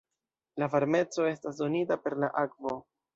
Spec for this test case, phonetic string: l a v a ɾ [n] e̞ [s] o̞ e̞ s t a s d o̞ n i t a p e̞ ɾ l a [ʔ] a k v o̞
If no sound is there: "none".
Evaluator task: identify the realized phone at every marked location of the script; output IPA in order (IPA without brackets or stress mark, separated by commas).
m, t͡s, ʔ